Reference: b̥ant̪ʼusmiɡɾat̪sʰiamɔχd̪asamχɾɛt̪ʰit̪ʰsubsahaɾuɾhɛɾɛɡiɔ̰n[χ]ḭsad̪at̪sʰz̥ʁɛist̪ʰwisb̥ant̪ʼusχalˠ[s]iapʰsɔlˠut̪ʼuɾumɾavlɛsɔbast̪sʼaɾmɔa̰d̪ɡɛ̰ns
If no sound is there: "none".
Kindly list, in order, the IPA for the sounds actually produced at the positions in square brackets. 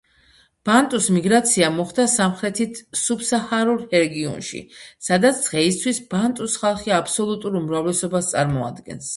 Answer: ʃ, χ

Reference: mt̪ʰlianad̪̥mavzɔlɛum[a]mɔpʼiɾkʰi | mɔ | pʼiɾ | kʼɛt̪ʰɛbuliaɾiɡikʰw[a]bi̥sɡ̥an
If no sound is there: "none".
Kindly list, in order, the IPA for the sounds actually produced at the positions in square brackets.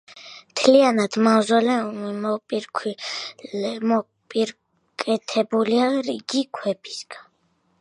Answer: i, ɛ

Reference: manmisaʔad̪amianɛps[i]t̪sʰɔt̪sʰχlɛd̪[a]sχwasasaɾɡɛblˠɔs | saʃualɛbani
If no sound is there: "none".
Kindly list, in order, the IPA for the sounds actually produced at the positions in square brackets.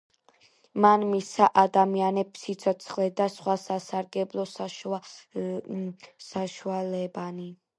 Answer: i, a

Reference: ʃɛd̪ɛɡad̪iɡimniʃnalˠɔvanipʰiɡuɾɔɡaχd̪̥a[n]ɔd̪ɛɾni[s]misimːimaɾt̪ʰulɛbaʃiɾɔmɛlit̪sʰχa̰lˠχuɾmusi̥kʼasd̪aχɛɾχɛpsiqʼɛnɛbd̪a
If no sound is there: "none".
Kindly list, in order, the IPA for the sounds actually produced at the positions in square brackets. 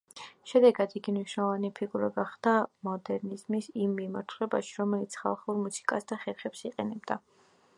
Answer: m, z

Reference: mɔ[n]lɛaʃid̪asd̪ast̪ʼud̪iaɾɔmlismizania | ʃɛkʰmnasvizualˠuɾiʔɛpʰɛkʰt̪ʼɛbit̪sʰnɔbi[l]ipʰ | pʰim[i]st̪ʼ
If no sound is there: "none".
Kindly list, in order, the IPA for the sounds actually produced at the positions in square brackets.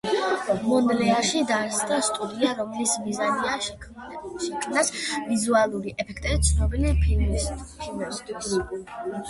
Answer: n, l, ɛ

